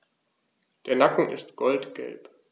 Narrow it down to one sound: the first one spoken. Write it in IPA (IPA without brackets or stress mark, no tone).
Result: d̥